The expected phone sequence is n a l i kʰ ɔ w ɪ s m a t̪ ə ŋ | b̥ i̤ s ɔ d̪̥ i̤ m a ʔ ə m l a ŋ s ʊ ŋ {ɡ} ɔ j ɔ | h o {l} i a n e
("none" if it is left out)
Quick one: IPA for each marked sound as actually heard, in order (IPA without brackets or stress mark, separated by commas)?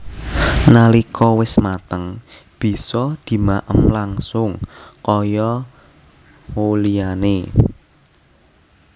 k, l